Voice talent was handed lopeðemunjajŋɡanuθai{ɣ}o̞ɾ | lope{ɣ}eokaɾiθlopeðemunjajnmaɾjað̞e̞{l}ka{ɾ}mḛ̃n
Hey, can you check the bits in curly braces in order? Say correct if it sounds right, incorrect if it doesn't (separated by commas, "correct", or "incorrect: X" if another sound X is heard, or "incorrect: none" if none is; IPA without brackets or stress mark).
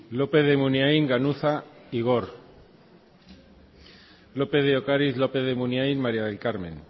correct, incorrect: ð, correct, correct